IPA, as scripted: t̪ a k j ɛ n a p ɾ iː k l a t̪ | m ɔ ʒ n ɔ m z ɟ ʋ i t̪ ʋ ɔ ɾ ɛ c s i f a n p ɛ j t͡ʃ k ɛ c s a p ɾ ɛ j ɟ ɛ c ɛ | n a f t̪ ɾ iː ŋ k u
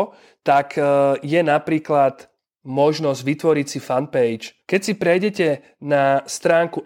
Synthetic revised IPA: t̪ a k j ɛ n a p ɾ iː k l a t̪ | m ɔ ʒ n ɔ z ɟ ʋ i t̪ ʋ ɔ ɾ i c s i f a n p ɛ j t͡ʃ k ɛ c s i p ɾ ɛ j ɟ ɛ c ɛ | n a s t̪ ɾ aː ŋ k u